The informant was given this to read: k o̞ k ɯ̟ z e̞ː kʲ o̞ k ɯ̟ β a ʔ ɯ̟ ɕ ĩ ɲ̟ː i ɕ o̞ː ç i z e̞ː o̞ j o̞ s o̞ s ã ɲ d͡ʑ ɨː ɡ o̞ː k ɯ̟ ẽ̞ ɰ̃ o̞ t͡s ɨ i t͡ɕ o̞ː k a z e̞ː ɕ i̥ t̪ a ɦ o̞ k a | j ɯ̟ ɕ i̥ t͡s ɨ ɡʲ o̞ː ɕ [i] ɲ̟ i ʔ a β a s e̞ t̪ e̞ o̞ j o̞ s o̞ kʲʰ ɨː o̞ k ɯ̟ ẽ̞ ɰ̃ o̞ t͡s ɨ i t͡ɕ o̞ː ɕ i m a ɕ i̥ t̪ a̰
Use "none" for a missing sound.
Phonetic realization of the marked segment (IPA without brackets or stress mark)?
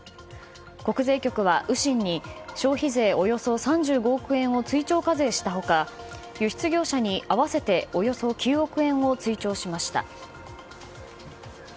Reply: a